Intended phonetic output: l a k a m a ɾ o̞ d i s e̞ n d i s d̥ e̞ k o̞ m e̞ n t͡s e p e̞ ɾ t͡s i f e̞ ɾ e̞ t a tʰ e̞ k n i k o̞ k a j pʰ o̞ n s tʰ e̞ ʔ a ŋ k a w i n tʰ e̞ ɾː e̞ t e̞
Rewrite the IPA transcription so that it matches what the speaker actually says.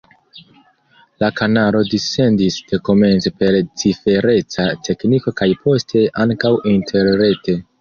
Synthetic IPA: l a k a n a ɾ o̞ d i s e̞ n d i s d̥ e̞ k o̞ m e̞ n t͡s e p e̞ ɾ t͡s i f e̞ ɾ e̞ t͡s a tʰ e̞ k n i k o̞ k a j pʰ o̞ s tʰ e̞ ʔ a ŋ k a w i n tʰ e̞ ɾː e̞ t e̞